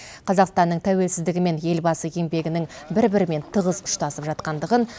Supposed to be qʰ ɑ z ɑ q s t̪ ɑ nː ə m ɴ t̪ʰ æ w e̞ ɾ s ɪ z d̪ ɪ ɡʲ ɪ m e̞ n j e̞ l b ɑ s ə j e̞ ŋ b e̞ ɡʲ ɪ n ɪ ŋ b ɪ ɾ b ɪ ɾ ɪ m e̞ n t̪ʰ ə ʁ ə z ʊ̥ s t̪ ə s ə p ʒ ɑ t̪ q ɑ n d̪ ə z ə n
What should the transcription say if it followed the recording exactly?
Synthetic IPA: qʰ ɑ z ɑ q s t̪ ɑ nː ə ɴ t̪ʰ æ w e̞ l s ɪ z d̪ ɪ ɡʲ ɪ m e̞ n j e̞ l b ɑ s ə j e̞ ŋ b e̞ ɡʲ ɪ n ɪ ŋ b ɪ ɾ b ɪ ɾ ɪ m e̞ n t̪ʰ ə ʁ ə z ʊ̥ ʃ t̪ ɑ s ə p ʒ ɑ t̪ q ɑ n d̪ ə ʁ ə n